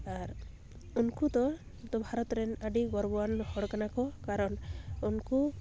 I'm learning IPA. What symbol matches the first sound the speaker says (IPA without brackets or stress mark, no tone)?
a